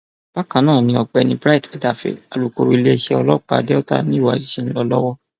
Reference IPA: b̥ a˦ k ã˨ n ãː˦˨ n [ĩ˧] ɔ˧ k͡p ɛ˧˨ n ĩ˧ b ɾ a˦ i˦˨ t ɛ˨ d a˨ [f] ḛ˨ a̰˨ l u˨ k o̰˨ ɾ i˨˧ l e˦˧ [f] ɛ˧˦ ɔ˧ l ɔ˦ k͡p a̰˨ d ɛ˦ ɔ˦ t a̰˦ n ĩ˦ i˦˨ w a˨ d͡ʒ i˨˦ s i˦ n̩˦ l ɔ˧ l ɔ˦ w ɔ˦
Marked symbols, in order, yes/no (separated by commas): yes, yes, no